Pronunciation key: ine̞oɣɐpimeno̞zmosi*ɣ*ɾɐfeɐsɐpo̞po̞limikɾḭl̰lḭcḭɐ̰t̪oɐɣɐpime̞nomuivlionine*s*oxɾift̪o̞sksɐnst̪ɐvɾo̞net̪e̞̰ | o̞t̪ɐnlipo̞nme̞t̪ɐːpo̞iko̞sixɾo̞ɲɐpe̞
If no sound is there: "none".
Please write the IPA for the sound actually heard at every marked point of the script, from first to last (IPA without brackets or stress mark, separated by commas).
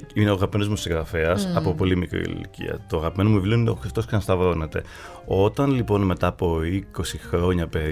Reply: ɣ, none